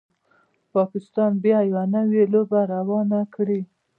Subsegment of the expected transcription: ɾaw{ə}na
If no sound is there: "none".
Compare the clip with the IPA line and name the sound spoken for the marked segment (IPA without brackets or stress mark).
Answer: ɑ